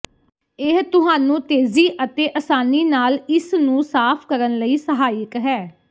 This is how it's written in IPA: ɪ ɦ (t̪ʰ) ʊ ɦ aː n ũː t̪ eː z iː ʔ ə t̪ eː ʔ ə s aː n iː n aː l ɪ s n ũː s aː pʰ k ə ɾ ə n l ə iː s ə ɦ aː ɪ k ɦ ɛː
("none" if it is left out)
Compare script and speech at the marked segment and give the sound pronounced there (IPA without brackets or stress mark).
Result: t̪